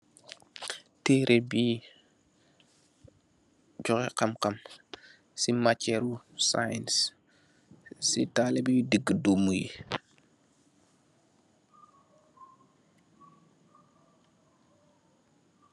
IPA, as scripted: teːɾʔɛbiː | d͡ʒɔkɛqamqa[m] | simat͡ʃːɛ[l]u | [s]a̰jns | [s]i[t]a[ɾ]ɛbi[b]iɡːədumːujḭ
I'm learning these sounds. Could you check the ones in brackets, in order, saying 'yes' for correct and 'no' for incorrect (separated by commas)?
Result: yes, no, yes, yes, yes, no, no